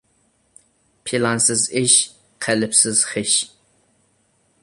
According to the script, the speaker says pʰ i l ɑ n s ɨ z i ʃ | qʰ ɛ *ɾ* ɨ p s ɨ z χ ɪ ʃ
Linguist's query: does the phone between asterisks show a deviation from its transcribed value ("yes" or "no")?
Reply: yes